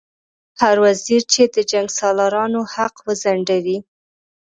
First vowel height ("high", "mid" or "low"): low